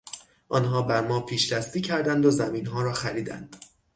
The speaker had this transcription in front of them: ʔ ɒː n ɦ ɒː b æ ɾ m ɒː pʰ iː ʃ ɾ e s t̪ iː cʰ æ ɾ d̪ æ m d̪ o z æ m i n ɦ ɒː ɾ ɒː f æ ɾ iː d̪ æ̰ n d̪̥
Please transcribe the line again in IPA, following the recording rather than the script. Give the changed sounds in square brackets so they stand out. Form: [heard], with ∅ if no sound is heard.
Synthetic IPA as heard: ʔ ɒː n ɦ ɒː b æ ɾ m ɒː pʰ iː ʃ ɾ [æ] s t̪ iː cʰ æ ɾ d̪ æ [n] d̪ o z æ m i n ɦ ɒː ɾ ɒː [x] æ ɾ iː d̪ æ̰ n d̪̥